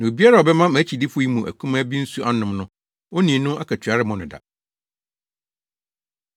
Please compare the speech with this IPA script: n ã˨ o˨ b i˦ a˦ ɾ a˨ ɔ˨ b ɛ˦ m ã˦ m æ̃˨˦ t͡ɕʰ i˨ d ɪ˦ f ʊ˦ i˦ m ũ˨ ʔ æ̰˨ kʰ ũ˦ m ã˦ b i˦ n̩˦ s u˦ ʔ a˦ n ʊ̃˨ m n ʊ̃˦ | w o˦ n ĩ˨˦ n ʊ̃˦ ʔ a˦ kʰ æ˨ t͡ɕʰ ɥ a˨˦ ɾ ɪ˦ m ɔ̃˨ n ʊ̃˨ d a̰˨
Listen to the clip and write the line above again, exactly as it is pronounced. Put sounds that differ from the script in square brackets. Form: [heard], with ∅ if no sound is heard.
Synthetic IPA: n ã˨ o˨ b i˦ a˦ ɾ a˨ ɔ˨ b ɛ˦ m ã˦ m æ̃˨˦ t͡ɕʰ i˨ d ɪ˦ f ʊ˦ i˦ m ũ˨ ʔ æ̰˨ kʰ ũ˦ m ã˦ b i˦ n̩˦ s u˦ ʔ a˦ n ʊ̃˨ m n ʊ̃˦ | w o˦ n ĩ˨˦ n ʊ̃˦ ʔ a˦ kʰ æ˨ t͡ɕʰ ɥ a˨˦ ɾ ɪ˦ m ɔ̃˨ n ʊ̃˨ d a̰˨